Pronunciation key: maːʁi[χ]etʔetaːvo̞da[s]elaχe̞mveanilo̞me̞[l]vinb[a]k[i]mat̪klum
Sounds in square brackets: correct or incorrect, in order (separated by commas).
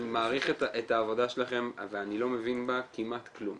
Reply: correct, incorrect, incorrect, correct, correct